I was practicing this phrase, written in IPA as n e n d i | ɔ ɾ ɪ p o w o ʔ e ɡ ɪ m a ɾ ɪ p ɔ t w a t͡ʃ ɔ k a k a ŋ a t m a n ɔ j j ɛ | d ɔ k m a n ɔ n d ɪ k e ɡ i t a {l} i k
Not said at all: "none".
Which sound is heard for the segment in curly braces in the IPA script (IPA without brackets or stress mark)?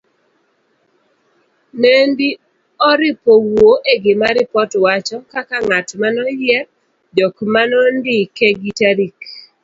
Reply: ɾ